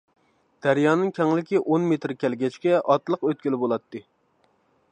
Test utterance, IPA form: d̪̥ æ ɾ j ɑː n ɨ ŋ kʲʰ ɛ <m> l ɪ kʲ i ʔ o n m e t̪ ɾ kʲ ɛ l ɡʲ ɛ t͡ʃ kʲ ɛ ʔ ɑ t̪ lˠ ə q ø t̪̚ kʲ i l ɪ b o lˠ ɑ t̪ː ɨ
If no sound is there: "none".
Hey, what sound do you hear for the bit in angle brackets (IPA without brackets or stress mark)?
ŋ